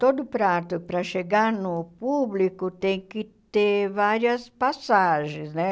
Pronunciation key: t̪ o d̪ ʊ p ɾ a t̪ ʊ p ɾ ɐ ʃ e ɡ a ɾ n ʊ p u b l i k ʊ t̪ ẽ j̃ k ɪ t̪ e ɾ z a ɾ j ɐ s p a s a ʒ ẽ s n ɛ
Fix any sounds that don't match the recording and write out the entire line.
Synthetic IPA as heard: t̪ o d̪ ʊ p ɾ a t̪ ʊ p ɾ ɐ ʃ e ɡ a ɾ n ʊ p u b l i k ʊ t̪ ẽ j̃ k ɪ t̪ e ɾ v a ɾ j ɐ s p a s a ʒ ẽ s n ɛ